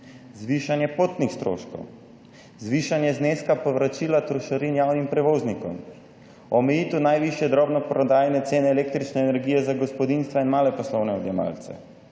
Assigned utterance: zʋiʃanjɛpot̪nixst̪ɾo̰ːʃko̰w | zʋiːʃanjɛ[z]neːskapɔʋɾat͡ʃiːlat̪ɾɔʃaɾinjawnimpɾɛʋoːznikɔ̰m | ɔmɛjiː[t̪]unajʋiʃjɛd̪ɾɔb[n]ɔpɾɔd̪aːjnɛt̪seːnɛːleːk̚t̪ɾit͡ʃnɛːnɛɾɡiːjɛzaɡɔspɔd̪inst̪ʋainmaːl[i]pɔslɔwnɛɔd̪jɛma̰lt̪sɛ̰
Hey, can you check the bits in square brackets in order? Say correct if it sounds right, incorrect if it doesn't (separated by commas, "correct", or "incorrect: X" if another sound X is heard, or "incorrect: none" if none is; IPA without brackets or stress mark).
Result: correct, correct, correct, incorrect: ɛ